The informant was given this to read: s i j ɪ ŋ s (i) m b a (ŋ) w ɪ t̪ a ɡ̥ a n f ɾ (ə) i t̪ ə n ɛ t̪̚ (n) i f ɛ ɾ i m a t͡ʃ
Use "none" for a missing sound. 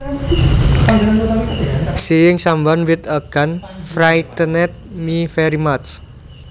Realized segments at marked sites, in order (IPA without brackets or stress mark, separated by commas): a, n, a, m